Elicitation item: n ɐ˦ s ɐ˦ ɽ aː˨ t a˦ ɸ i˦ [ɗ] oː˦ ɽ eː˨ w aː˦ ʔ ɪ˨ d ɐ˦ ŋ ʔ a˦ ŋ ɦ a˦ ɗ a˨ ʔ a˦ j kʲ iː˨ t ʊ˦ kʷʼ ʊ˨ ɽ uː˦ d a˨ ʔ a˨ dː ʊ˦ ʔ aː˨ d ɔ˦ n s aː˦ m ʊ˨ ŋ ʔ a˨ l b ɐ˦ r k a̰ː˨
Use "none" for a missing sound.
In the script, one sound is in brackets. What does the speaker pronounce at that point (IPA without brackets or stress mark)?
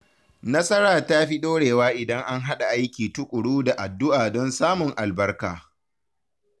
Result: ɗ